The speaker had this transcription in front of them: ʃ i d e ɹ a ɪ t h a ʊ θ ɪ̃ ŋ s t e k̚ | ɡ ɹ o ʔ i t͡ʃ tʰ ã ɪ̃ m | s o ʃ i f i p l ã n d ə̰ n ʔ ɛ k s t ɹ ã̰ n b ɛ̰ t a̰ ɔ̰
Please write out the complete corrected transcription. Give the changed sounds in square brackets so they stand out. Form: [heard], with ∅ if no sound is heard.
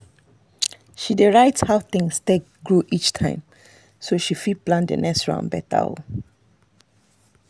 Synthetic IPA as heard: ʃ i d e ɹ a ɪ t h a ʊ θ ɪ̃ ŋ s t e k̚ | ɡ ɹ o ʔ i t͡ʃ tʰ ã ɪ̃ m | s o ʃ i f i p l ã n d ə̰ n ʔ ɛ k s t ɹ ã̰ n b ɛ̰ t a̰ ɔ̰